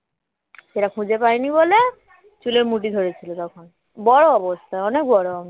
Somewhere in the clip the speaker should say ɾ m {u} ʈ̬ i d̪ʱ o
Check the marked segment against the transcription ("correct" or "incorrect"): correct